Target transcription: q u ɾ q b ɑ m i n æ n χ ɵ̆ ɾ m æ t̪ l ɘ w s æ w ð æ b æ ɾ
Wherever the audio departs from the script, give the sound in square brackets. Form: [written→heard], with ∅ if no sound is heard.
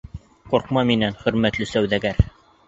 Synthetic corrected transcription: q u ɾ q [b→m] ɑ m i n æ n χ ɵ̆ ɾ m æ t̪ l ɘ [w→∅] s æ w ð æ [b→ɡ] æ ɾ